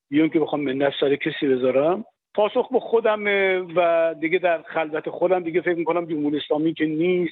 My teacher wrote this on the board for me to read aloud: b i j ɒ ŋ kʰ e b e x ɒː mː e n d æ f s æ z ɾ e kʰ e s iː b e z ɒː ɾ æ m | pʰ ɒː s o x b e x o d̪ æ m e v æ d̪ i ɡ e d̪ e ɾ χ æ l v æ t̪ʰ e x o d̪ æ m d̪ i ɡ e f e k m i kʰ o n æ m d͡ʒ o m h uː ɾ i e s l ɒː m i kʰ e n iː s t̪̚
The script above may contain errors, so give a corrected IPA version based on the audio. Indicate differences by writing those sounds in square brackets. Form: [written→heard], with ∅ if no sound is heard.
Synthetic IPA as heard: b i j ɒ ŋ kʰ e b e x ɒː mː e n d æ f s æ [z→∅] ɾ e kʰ e s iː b e z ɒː ɾ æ m | pʰ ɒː s o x b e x o d̪ æ m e v æ d̪ i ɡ e d̪ [e→æ] ɾ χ æ l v æ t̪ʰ e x o d̪ æ m d̪ i ɡ e f e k m i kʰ o n æ m d͡ʒ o m h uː ɾ i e s l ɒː m i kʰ e n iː s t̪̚